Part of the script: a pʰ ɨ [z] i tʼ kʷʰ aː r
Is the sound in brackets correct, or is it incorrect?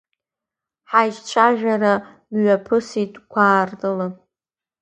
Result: incorrect